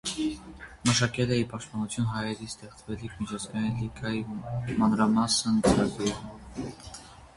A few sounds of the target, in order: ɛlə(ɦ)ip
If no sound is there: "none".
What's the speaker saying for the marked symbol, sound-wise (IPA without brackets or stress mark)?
none